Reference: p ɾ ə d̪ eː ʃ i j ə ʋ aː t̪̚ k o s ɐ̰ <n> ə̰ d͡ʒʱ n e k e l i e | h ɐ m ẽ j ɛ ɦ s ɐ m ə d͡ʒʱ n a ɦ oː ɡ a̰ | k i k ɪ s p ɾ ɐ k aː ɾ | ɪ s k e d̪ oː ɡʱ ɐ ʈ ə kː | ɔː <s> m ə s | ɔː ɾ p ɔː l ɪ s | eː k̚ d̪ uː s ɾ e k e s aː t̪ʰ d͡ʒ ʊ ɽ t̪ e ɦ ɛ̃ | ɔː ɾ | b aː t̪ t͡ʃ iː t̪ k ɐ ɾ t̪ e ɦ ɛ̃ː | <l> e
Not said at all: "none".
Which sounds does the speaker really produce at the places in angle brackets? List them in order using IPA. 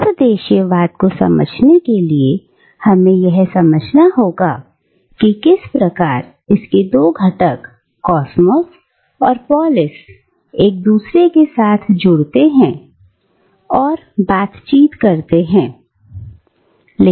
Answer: m, s, l

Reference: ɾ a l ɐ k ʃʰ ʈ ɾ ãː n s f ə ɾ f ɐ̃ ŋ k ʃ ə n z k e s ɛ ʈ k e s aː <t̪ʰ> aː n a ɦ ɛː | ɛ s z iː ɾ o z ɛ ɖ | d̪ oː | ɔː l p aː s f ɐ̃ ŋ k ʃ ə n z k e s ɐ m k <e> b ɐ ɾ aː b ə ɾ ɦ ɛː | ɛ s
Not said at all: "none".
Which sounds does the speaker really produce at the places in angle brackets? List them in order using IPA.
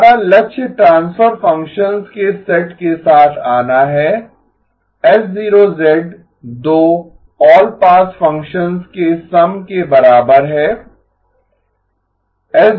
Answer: t̪ʰ, e

